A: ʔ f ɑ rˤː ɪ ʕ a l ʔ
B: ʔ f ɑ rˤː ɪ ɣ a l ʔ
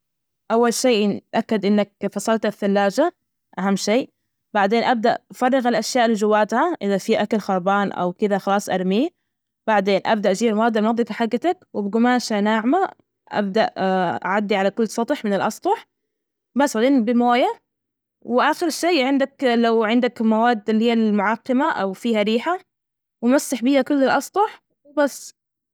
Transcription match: B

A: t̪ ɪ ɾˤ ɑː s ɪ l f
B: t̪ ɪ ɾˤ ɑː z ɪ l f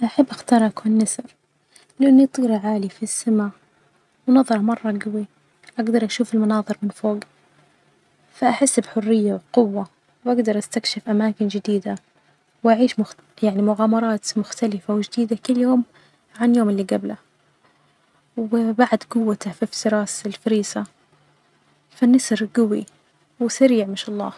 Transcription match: A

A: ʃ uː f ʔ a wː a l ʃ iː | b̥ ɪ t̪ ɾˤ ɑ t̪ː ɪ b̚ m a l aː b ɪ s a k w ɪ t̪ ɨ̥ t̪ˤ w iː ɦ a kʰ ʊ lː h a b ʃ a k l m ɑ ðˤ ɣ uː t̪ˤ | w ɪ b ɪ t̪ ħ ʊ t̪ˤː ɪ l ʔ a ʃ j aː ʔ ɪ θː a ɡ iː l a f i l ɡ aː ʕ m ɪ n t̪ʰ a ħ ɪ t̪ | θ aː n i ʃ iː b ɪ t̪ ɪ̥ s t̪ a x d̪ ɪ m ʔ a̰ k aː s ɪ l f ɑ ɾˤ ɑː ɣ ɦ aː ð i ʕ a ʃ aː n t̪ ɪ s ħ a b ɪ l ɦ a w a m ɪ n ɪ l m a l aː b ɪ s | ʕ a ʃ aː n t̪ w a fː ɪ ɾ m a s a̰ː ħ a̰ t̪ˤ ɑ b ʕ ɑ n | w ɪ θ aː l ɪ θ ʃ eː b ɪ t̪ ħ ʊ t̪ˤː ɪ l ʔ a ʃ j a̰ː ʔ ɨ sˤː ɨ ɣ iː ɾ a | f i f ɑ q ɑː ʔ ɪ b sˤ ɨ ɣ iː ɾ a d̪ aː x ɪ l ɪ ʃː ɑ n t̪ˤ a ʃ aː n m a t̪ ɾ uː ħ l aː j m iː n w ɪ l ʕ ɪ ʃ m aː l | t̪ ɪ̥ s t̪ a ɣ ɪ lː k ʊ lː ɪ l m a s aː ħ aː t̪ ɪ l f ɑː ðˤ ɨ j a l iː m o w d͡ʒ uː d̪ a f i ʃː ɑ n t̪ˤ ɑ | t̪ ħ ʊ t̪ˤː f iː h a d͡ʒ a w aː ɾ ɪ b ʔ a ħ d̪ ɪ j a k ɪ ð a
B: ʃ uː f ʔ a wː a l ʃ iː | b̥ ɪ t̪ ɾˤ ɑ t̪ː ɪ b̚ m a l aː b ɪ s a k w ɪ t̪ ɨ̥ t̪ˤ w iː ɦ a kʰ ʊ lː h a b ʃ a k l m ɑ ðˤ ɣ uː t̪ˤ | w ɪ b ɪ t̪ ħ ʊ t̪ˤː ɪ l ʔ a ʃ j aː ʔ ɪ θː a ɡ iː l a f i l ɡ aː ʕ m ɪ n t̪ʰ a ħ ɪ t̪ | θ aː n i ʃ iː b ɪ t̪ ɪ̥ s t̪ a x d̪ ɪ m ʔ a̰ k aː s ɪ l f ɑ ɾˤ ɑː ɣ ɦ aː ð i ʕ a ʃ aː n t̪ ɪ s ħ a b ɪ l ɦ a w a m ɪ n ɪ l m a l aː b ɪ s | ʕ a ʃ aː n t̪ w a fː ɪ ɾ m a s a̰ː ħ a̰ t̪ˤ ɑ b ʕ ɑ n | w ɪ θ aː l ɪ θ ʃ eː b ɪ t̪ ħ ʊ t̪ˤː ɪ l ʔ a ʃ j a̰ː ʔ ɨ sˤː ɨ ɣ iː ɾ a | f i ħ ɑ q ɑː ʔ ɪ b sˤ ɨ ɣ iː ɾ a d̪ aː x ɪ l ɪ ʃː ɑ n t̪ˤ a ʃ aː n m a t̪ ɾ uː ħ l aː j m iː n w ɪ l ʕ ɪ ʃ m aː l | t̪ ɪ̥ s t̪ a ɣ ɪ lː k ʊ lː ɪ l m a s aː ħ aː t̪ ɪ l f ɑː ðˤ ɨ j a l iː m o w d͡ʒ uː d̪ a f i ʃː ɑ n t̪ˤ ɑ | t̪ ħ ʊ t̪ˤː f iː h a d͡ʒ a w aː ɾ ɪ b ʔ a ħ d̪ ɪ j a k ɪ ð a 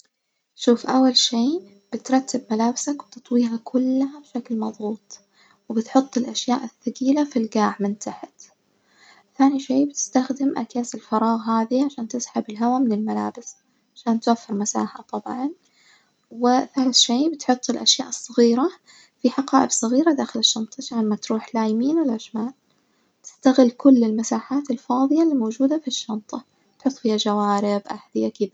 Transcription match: B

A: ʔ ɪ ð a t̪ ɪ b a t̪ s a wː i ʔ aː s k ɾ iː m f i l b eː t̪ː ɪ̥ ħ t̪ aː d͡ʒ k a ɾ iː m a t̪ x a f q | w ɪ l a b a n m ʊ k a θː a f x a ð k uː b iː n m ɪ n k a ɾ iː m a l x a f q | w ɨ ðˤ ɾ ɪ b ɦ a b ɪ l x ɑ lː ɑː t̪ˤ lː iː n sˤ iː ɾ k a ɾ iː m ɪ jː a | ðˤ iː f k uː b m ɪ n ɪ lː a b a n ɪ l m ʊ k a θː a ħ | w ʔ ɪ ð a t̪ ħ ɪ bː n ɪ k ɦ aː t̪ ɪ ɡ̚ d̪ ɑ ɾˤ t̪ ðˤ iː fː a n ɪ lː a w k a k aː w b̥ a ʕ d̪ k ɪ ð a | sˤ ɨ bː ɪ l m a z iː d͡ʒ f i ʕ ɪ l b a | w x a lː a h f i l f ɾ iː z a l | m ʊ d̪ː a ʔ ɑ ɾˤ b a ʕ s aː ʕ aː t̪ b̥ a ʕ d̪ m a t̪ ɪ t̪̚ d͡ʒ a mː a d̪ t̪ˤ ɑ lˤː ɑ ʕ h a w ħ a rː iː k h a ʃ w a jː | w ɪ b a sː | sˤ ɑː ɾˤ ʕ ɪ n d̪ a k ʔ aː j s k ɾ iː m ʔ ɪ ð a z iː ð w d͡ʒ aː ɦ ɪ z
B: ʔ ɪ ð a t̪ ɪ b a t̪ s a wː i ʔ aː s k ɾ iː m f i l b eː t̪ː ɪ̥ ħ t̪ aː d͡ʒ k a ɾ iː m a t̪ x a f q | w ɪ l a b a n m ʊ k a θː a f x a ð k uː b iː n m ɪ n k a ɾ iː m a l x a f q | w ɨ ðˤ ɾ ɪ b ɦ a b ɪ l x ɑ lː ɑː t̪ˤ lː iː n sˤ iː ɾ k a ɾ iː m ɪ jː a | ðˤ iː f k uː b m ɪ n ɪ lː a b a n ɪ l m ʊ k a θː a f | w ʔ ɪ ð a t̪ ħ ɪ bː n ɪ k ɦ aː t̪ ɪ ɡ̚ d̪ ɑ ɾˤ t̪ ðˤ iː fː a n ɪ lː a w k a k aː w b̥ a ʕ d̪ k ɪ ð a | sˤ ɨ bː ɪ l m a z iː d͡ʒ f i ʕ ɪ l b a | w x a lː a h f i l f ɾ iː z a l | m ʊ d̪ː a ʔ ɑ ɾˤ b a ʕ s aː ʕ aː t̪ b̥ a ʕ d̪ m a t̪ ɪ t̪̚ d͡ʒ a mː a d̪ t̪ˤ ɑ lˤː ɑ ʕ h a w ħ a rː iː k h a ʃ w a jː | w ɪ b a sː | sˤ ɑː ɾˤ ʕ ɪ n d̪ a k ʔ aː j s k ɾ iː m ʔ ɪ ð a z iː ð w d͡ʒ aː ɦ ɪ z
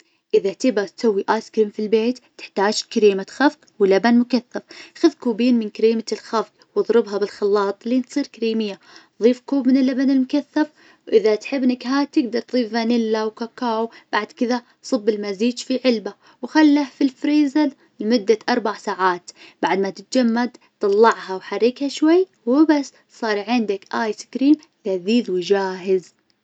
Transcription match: B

